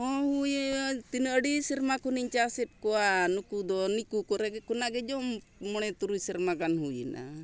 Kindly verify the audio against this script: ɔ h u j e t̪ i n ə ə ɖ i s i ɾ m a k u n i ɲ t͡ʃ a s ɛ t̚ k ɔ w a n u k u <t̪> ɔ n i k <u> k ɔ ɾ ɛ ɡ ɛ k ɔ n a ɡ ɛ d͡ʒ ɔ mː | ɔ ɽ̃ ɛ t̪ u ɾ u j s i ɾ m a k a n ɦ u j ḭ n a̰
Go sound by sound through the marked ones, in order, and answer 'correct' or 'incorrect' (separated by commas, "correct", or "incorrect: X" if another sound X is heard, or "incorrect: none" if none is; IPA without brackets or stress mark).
incorrect: d̪, correct